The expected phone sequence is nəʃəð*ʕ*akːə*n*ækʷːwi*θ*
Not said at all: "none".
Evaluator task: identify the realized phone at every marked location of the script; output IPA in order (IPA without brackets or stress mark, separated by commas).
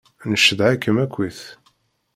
ʕ, m, θ